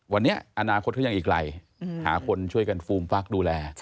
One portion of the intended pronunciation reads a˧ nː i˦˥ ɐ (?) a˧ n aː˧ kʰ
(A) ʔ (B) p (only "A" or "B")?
A